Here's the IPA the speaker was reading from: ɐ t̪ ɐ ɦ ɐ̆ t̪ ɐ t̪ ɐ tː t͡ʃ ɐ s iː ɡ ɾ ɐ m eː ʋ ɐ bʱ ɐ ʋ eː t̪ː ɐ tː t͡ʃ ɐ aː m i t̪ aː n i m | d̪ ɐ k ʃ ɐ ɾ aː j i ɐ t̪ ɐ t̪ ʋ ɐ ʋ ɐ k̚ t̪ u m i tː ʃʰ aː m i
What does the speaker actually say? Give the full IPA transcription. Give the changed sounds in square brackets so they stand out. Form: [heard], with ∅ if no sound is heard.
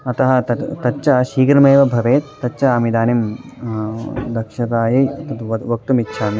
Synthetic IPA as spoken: ɐ t̪ ɐ ɦ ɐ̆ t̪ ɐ t̪ ɐ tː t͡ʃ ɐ [ʃ] iː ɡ ɾ ɐ m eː ʋ ɐ bʱ ɐ ʋ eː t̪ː ɐ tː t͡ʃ ɐ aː m i [d̪] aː n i m | d̪ ɐ k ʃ ɐ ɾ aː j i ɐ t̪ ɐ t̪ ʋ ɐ ʋ ɐ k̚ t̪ u m i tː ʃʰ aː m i